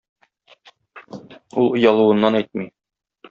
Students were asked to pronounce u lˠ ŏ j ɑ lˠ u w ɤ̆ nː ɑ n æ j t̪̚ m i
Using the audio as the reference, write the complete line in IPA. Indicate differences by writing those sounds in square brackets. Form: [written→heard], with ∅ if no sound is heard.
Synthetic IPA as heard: u lˠ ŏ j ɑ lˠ u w ɤ̆ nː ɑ n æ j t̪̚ m i